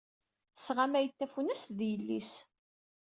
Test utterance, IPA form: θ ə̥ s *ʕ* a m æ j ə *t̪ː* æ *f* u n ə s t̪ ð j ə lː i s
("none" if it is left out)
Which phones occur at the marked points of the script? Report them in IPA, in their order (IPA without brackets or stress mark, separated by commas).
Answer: ʁ, t̪ː, f